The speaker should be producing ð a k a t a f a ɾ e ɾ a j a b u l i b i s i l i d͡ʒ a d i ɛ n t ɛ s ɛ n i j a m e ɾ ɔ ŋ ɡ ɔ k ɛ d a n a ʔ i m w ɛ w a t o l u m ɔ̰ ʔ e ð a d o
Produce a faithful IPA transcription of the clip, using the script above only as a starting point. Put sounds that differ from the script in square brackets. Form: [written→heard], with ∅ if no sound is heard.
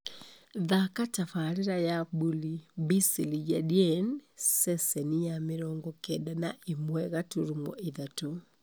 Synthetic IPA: ð a k a t a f a ɾ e ɾ a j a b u l i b i s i l i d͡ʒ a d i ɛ n [t→s] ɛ s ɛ n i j a m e ɾ ɔ ŋ ɡ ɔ k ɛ d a n a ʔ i m w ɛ [w→ɣ] a t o [l→ɾ] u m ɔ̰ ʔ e ð a [d→t] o

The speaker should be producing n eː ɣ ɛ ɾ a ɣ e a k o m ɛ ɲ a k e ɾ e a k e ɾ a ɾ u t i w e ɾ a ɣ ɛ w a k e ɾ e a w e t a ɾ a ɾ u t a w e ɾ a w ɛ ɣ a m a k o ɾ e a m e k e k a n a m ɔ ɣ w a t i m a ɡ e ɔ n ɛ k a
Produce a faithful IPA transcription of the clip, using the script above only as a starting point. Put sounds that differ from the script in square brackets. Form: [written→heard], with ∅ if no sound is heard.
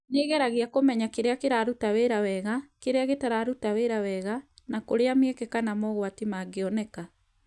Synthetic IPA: n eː ɣ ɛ ɾ a ɣ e a k o m ɛ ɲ a k e ɾ e a k e ɾ a ɾ u t [i→a] w e ɾ a [ɣ→w] ɛ [w→ɣ] a k e ɾ e a [w→ɣ] e t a ɾ a ɾ u t a w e ɾ a w ɛ ɣ a [m→n] a k o ɾ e a m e k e k a n a m ɔ ɣ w a t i m a ɡ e ɔ n ɛ k a

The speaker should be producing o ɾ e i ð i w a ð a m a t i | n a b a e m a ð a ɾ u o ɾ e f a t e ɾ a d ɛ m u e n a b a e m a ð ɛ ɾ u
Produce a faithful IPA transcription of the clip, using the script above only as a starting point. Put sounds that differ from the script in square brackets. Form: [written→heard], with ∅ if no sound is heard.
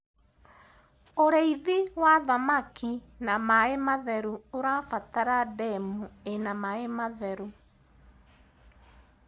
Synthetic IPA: o ɾ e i ð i w a ð a m a [t→k] i | n a [b→m] a e m a ð [a→ɛ] ɾ u o ɾ [e→a] f a t [e→a] ɾ a d ɛ m u e n a [b→m] a e m a ð ɛ ɾ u

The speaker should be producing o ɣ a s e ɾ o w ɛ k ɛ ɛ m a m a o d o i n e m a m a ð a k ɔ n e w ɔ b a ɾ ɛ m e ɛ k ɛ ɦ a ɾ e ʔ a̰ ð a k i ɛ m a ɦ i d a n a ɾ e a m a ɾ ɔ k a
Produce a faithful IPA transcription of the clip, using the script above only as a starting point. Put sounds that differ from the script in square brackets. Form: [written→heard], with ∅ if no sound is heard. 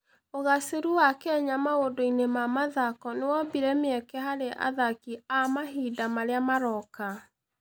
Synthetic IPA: o ɣ a s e ɾ [o→u] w [ɛ→a] k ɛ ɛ [m→ɲ] a m a o d o i n e m a m a ð a k ɔ n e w ɔ b [a→i] ɾ ɛ m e ɛ k ɛ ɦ a ɾ e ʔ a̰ ð a k i [ɛ→a] m a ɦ i d a [n→m] a ɾ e a m a ɾ ɔ k a

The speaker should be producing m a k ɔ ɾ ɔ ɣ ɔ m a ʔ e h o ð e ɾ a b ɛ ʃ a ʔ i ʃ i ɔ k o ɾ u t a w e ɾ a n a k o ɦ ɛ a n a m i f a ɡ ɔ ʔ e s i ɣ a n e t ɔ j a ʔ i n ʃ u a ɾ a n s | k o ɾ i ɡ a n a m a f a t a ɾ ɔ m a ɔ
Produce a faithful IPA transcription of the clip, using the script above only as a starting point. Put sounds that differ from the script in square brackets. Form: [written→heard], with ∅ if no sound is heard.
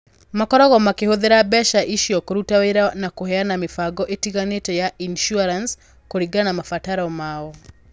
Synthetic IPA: m a k ɔ ɾ ɔ ɣ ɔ m a [ʔ→k] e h o ð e ɾ a b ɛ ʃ a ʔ i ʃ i ɔ k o ɾ u t a w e ɾ a n a k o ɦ ɛ a n a m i f a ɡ ɔ ʔ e [s→t] i ɣ a n e t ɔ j a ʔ i n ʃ u a ɾ a n s | k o ɾ i ɡ a n a m a f a t a ɾ ɔ m a ɔ

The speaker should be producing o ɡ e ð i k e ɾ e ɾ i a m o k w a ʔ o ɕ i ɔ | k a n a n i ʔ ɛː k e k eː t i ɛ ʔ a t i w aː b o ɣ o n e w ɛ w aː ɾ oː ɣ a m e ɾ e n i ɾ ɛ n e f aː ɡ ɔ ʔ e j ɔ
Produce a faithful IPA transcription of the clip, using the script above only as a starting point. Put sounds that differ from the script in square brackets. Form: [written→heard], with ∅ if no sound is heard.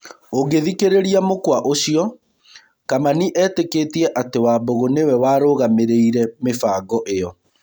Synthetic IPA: o ɡ e ð i k e ɾ e ɾ i a m o k w a ʔ o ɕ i ɔ | k a [n→m] a n i ʔ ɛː [k→t] e k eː t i ɛ ʔ a t [i→e] w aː b o ɣ o n e w ɛ w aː ɾ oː ɣ a m e ɾ e [n→∅] i ɾ ɛ [n→m] e f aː ɡ ɔ ʔ e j ɔ

